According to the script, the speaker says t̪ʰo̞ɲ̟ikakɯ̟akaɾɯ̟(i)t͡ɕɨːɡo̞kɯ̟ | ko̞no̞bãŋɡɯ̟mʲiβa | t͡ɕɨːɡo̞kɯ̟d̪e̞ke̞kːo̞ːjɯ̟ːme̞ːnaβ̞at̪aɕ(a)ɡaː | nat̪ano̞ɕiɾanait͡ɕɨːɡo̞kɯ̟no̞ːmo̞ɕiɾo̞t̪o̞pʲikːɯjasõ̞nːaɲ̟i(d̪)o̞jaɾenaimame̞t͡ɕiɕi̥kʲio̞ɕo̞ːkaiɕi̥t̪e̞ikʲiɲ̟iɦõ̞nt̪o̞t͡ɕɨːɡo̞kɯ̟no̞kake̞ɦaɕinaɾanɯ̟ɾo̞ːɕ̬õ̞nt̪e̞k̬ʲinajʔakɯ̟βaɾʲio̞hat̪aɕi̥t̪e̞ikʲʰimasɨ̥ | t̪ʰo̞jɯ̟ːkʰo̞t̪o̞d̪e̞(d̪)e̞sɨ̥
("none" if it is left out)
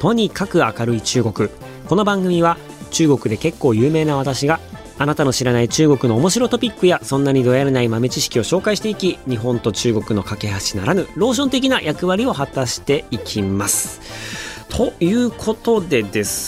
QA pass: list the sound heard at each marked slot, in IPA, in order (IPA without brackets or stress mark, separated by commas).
i, i, d̪, d̪